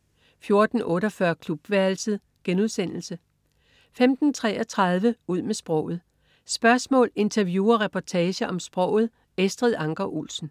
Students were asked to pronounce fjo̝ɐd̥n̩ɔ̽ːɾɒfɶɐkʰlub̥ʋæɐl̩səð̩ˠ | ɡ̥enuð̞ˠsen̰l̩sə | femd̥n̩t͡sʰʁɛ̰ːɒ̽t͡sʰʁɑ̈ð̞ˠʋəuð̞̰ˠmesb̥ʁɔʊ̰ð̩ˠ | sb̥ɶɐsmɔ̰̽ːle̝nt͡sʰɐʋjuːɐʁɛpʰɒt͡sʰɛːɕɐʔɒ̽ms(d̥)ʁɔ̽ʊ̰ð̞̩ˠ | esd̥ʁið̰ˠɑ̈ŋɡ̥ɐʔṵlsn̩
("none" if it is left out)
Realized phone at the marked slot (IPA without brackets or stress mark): b̥